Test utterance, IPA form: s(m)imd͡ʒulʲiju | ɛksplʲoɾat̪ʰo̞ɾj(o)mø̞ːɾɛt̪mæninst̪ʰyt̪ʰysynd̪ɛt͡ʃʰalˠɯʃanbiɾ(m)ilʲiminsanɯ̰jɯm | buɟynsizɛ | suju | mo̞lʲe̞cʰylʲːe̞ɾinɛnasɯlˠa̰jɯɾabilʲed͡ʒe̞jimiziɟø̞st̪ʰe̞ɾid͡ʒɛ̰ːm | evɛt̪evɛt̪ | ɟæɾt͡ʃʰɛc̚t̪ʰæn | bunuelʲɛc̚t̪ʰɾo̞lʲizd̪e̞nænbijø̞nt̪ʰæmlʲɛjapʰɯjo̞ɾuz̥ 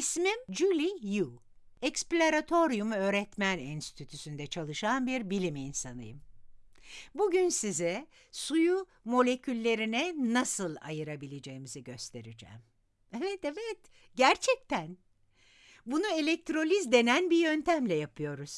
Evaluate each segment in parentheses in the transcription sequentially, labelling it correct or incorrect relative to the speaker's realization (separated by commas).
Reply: correct, incorrect, incorrect